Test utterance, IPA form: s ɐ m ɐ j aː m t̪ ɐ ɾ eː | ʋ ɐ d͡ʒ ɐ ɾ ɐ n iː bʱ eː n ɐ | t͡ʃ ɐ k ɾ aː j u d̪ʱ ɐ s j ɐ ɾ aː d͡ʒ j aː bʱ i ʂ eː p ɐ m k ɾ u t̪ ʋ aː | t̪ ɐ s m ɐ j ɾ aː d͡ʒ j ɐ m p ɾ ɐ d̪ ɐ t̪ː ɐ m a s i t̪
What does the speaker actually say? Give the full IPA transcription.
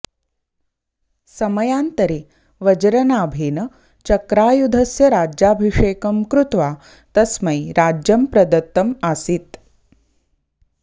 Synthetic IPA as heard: s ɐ m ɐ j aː n t̪ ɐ ɾ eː | ʋ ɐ d͡ʒ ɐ ɾ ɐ n aː bʱ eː n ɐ | t͡ʃ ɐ k ɾ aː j u d̪ʱ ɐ s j ɐ ɾ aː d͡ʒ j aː bʱ i ʂ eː k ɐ m k ɾ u t̪ ʋ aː | t̪ ɐ s m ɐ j ɾ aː d͡ʒ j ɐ m p ɾ ɐ d̪ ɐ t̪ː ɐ m a s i t̪